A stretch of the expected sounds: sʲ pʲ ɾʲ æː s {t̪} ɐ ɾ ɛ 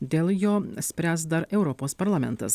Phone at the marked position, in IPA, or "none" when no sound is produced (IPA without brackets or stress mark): d̪